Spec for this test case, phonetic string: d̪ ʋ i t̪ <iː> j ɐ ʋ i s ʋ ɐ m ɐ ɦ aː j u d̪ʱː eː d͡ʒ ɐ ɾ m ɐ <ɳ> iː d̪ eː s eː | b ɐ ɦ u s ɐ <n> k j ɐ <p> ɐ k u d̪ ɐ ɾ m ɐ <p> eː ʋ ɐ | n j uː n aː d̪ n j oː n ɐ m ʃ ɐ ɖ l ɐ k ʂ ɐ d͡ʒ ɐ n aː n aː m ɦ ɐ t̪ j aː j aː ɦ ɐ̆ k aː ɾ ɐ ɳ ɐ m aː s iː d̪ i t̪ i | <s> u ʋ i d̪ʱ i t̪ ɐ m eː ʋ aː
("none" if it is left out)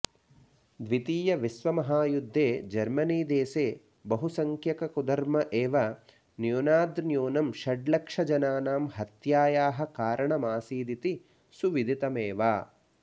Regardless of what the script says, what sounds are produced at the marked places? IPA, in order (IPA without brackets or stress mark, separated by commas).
iː, n, ŋ, k, ʔ, s